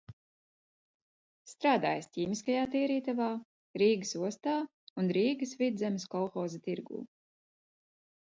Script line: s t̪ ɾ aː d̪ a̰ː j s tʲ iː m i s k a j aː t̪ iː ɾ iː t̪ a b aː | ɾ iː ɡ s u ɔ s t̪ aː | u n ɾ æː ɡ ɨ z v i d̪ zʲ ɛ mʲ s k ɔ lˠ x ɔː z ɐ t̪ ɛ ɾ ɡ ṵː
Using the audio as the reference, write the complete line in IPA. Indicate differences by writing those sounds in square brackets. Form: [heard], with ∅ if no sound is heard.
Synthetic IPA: s t̪ ɾ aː d̪ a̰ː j s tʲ iː m i s k a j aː t̪ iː ɾ iː t̪ a [v] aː | ɾ iː ɡ s u ɔ s t̪ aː | u n ɾ [iː] ɡ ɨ [s] v i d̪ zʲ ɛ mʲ s k ɔ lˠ x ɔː z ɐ t̪ [i] ɾ ɡ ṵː

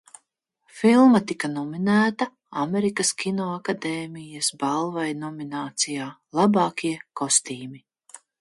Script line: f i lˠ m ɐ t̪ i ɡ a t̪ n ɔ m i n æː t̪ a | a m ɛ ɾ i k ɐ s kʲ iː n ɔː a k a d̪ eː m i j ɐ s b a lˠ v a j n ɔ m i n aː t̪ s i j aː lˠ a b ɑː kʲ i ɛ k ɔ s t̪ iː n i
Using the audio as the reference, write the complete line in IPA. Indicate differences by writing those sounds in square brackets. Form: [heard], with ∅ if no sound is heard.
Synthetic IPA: f i lˠ m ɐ t̪ i [k] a [∅] n ɔ m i n æː t̪ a | a m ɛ ɾ i k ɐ s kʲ [i] n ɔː a k a d̪ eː m i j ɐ s b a lˠ v a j n ɔ m i n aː t̪ s i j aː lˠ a b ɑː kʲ i ɛ k ɔ s t̪ iː [m] i

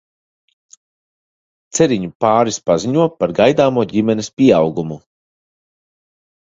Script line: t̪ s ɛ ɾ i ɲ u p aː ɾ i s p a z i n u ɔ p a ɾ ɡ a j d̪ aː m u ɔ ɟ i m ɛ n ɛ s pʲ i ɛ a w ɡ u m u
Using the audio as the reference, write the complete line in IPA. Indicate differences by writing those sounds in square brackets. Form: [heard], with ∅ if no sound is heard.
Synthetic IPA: t̪ s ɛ ɾ i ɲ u p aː ɾ i s p a z i [ɲ] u ɔ p a ɾ ɡ a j d̪ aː m u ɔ ɟ i m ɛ n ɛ s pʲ i ɛ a w ɡ u m u

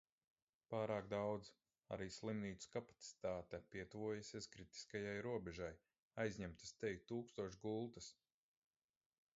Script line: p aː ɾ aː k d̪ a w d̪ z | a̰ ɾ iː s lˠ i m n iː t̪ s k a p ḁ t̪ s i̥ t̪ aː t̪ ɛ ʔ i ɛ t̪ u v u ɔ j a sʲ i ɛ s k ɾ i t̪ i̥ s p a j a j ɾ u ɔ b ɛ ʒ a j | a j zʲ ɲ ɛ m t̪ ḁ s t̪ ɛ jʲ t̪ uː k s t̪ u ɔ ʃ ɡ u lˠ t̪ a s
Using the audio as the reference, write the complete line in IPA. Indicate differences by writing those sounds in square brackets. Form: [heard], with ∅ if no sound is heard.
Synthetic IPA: p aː ɾ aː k d̪ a w d̪ z | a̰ ɾ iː s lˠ i m n iː t̪ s k a p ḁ t̪ s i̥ t̪ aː t̪ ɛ [p] i ɛ t̪ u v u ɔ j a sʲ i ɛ s k ɾ i t̪ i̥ s [k] a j a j ɾ u ɔ b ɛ ʒ a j | a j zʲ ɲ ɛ m t̪ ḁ s t̪ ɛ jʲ t̪ uː k s t̪ u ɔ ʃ ɡ u lˠ t̪ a s

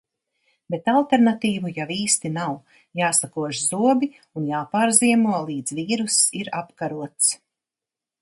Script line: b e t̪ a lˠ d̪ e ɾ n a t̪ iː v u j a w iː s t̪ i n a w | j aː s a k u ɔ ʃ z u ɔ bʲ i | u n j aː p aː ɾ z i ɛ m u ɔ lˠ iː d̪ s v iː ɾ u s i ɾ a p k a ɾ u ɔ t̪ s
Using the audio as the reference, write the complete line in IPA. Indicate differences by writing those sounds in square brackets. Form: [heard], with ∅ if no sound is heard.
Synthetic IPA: b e t̪ a lˠ [t̪] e ɾ n a t̪ iː v u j a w iː s t̪ i n a w | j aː s a k u ɔ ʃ z u ɔ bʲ i | u n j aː p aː ɾ z i ɛ m u ɔ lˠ iː d̪ [z] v iː ɾ u s i ɾ a p k a ɾ u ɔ t̪ s

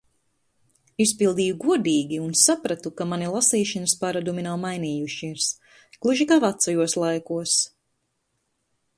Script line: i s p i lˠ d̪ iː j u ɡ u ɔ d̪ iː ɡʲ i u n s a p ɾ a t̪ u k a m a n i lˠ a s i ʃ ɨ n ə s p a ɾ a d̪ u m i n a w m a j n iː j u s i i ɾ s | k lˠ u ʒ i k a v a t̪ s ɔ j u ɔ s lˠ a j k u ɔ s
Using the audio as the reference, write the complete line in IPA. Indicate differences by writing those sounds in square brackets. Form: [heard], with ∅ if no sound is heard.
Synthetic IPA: i s p i lˠ d̪ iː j u ɡ u ɔ d̪ iː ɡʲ i u n s a p ɾ a t̪ u k a m a n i lˠ a s [iː] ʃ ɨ n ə s p a ɾ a d̪ u m i n a w m a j n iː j u [ʃ] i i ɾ s | k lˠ u ʒ i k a v a t̪ s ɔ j u ɔ s lˠ a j k u ɔ s

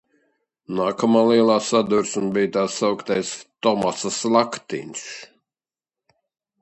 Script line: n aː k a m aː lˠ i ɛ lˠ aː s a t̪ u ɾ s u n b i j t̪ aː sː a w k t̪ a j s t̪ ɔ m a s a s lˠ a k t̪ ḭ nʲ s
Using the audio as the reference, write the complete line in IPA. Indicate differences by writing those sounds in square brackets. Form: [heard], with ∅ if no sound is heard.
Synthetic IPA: n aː k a m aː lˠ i ɛ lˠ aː s a [d̪] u ɾ s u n b i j t̪ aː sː a w k t̪ a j s t̪ ɔ m a s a s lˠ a k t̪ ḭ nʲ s

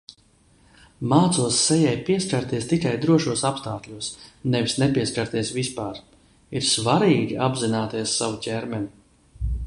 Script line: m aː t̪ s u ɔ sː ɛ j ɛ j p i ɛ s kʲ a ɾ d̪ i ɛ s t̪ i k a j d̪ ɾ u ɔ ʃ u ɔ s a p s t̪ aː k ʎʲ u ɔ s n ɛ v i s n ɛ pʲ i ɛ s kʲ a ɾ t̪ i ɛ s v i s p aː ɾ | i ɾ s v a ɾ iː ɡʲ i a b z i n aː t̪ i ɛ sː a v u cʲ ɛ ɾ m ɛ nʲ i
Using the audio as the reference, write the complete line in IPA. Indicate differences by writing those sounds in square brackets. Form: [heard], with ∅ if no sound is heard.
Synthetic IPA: m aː t̪ s u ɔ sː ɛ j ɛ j p i ɛ s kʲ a ɾ [t̪] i ɛ s t̪ i k a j d̪ ɾ u ɔ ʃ u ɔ s a p s t̪ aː k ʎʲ u ɔ s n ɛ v i s n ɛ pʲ i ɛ s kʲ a ɾ t̪ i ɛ s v i s p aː ɾ | i ɾ s v a ɾ iː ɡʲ i a b z i n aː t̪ i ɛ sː a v u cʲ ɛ ɾ m ɛ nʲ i

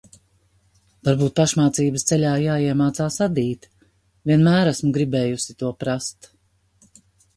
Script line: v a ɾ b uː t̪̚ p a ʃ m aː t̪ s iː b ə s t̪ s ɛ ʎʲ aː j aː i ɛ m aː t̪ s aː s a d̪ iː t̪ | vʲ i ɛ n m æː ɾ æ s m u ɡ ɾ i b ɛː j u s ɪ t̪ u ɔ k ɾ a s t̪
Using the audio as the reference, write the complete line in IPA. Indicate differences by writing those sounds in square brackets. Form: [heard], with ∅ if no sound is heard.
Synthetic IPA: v a ɾ b uː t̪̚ p a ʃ m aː t̪ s iː b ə s t̪ s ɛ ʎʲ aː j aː i ɛ m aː t̪ s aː s a d̪ iː t̪ | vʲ i ɛ n m æː ɾ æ s m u ɡ ɾ i b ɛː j u s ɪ t̪ u ɔ [p] ɾ a s t̪

